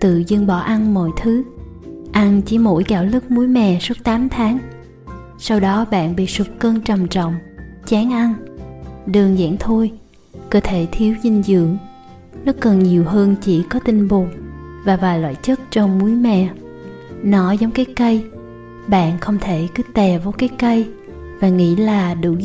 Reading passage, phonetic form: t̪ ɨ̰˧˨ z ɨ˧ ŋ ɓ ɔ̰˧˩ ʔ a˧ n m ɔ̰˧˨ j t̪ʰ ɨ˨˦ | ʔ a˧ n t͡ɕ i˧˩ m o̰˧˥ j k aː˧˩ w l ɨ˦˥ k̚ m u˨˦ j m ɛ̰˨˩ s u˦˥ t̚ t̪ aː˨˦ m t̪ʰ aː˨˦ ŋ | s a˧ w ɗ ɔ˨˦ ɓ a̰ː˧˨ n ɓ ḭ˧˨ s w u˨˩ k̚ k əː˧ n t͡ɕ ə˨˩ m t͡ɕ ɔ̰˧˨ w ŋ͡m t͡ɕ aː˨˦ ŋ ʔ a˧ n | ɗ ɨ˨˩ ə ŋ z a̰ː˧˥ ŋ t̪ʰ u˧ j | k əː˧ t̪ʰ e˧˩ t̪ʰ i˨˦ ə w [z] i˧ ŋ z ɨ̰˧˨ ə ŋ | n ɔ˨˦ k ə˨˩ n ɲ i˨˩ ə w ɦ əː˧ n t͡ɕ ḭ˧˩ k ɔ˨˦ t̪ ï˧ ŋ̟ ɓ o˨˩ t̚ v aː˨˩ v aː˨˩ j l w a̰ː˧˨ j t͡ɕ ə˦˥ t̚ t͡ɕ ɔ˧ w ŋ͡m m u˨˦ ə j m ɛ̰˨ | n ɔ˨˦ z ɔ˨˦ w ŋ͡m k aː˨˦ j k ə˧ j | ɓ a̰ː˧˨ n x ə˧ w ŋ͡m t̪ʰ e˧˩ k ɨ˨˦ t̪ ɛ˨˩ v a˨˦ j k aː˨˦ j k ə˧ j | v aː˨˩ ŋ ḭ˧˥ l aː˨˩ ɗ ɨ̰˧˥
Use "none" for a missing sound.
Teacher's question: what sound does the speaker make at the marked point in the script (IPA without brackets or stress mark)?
z